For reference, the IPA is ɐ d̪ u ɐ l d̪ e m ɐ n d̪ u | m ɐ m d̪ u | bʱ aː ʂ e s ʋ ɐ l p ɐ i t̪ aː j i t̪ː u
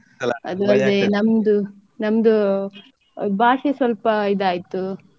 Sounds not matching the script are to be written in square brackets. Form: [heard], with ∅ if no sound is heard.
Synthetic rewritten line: ɐ d̪ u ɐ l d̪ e [n] ɐ [m] d̪ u | [n] ɐ m d̪ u | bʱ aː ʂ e s ʋ ɐ l p ɐ i [d̪] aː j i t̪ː u